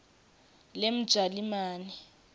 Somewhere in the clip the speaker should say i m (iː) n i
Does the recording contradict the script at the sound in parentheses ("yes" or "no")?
yes